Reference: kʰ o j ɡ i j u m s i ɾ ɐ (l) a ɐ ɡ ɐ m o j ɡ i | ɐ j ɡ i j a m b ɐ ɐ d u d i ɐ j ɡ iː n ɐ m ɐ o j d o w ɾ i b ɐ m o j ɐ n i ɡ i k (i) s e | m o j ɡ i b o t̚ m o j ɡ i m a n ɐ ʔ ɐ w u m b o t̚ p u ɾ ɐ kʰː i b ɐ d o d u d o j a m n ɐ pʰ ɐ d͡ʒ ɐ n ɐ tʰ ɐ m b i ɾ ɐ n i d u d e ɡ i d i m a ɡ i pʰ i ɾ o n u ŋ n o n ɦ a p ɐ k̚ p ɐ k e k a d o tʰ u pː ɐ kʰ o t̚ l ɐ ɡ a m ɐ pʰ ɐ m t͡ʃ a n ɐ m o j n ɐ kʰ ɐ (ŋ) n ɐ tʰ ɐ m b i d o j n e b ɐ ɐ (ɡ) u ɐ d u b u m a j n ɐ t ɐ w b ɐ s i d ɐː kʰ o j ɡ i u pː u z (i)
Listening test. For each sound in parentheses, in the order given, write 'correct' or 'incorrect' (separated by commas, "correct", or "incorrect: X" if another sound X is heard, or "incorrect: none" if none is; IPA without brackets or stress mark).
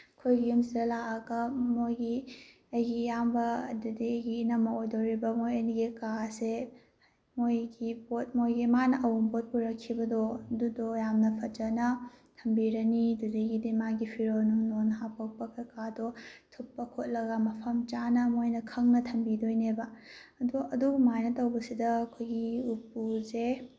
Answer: correct, incorrect: a, correct, incorrect: d, incorrect: e